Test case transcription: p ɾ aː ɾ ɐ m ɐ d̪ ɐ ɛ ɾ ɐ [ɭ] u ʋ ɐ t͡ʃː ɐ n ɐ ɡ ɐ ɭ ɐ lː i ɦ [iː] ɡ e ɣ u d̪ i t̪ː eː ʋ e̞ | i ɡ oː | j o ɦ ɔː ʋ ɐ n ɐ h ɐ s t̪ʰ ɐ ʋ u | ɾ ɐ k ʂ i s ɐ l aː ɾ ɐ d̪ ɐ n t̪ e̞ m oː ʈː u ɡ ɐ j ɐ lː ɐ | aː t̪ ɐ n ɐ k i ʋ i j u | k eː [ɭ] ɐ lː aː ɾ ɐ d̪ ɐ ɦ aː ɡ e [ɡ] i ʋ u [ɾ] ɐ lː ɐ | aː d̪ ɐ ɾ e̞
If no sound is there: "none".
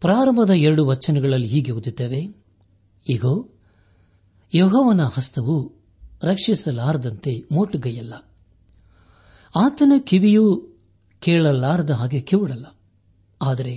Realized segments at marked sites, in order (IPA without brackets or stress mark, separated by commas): ɽ, iː, ɭ, k, ɽ